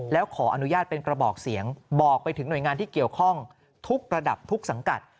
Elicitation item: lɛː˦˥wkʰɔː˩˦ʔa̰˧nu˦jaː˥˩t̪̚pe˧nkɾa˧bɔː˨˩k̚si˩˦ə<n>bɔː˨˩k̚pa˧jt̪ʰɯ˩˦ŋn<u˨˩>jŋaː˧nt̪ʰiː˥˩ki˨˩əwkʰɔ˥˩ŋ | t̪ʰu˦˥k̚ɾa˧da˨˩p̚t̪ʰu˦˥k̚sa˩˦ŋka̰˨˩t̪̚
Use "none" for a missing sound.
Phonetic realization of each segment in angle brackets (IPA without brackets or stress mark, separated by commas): ŋ, u˨˩